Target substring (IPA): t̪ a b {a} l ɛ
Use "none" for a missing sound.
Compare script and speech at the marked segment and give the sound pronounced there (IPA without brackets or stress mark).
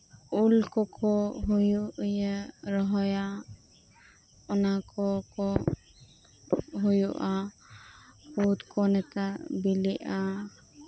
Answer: i